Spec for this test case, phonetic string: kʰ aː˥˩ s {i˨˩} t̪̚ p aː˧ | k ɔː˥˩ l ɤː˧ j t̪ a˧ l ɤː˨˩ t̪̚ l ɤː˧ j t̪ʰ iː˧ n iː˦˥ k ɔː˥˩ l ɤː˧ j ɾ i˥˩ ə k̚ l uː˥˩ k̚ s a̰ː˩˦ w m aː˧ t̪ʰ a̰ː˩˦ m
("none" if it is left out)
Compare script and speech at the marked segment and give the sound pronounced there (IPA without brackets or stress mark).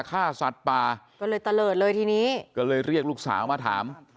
a˨˩